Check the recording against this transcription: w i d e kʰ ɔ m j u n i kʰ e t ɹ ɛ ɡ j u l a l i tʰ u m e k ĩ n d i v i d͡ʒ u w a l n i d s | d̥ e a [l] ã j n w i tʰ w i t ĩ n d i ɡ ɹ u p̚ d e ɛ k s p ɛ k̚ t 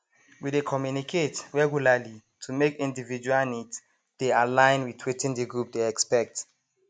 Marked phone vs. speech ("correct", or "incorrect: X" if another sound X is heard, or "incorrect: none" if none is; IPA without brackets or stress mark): correct